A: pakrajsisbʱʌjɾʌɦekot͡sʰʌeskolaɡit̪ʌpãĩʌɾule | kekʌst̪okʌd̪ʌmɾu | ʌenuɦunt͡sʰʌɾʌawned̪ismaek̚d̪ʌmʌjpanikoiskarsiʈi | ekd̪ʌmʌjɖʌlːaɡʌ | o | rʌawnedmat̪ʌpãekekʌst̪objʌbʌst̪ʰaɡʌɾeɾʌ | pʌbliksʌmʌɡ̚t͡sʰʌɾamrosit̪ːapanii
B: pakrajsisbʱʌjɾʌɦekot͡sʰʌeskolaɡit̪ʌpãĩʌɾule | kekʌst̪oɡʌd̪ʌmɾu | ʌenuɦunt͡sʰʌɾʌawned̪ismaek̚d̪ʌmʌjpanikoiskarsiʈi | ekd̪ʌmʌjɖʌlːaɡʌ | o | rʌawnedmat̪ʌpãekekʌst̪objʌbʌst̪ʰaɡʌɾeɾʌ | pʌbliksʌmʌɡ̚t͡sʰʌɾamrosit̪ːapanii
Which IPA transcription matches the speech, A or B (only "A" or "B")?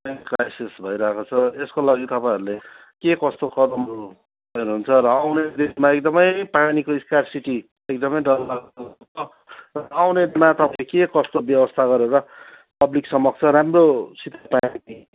A